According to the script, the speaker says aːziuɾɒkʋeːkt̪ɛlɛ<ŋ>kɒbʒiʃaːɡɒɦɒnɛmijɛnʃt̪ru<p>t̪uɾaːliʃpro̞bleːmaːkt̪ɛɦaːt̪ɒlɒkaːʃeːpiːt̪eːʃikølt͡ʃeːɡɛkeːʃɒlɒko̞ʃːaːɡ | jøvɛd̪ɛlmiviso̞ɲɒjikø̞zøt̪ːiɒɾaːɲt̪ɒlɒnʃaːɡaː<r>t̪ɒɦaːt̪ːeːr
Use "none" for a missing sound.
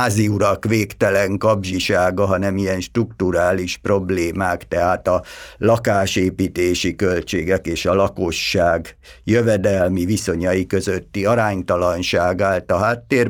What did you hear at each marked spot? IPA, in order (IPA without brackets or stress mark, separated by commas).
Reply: ŋ, k, l